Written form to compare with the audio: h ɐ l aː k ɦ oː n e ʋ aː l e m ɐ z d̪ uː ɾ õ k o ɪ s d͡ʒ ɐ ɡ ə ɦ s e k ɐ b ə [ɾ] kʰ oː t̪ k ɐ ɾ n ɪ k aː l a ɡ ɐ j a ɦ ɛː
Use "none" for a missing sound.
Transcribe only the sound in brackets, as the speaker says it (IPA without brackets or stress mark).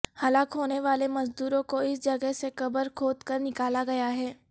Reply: ɾ